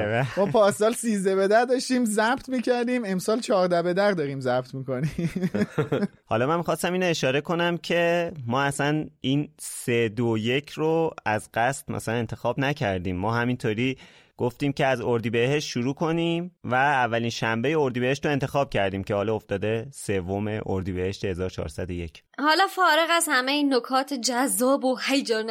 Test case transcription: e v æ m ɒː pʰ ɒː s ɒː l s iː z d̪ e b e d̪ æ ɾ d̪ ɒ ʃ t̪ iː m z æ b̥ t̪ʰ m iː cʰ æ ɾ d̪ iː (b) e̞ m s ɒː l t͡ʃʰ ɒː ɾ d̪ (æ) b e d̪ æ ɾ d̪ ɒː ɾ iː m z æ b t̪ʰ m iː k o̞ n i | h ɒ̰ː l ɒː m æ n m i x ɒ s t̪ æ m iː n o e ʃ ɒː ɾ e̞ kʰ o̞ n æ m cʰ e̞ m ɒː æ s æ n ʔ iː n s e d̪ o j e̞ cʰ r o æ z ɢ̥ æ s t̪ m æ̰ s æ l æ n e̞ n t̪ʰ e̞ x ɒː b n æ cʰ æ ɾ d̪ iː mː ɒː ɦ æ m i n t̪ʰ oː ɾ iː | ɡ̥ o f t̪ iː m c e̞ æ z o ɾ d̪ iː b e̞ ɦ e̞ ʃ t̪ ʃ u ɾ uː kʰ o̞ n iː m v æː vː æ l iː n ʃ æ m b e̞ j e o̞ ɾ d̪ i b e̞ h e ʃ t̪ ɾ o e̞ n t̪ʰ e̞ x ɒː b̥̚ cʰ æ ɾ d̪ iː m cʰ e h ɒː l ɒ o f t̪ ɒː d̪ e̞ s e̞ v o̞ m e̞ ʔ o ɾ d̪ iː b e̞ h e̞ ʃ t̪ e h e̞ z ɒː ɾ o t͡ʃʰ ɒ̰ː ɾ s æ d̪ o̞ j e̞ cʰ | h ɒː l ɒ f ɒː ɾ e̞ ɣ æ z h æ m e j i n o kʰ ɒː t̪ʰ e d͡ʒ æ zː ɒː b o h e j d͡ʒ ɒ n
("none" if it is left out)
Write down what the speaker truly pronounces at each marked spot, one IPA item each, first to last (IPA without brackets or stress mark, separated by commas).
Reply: m, æ